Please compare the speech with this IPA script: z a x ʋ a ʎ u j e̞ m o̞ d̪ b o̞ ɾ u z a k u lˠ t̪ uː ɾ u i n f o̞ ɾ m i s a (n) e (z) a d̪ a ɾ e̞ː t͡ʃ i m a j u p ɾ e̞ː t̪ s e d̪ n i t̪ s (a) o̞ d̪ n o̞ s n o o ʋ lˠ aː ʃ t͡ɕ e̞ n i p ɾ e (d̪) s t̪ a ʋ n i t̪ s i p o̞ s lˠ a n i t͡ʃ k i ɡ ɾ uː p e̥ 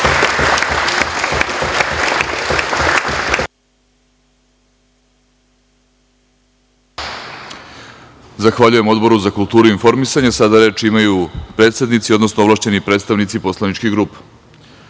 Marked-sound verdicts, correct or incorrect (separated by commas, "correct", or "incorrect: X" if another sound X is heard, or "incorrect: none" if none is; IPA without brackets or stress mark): incorrect: ɲ, incorrect: s, incorrect: i, incorrect: t̪